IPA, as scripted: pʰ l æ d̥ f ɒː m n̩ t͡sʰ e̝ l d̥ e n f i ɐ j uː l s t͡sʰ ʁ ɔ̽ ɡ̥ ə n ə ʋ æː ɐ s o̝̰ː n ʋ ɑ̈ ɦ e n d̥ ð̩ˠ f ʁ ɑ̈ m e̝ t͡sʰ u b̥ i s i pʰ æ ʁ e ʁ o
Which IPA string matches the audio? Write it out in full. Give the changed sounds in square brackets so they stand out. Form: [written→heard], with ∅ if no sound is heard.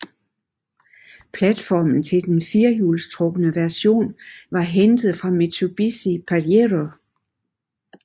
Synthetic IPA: pʰ l æ d̥ f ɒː m n̩ t͡sʰ e̝ l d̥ e n f i ɐ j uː l s t͡sʰ ʁ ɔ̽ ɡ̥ ə n ə ʋ [æː→æ] ɐ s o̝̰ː n ʋ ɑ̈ ɦ e n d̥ ð̩ˠ f ʁ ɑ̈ m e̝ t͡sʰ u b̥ i s i pʰ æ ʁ e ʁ o